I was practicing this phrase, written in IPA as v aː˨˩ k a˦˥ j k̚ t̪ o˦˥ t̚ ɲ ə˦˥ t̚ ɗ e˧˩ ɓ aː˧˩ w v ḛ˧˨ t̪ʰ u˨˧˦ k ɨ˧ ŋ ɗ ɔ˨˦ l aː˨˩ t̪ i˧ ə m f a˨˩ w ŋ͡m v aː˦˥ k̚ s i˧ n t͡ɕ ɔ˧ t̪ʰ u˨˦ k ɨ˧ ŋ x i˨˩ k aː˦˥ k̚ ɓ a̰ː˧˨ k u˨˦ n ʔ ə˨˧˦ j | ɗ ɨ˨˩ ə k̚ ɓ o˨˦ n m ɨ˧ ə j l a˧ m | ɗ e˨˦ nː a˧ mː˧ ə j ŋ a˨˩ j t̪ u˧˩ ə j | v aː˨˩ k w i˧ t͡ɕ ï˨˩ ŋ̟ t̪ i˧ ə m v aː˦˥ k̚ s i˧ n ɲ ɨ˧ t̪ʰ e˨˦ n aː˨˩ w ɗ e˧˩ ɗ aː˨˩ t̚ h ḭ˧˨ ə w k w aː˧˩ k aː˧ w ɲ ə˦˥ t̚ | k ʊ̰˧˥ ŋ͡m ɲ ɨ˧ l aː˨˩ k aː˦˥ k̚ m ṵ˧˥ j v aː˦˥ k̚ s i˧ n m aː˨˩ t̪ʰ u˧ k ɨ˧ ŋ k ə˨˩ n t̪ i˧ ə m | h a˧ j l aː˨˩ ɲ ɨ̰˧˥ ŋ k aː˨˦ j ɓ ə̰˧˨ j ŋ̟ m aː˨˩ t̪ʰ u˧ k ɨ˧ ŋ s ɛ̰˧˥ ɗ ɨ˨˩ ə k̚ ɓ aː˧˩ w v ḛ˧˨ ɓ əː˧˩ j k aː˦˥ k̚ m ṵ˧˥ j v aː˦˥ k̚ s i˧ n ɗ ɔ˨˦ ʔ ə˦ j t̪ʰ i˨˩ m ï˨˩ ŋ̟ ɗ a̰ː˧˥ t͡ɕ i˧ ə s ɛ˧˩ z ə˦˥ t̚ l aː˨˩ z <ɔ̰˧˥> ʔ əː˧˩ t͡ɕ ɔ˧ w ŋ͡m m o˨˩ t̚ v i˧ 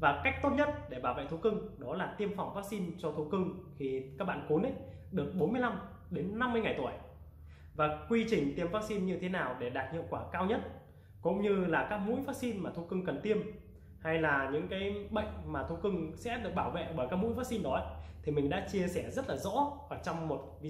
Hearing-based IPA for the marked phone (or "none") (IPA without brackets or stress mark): ɔ̰˧˥